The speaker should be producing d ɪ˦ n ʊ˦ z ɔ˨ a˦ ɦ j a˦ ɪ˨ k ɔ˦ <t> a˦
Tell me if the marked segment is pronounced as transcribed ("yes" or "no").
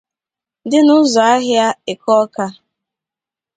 no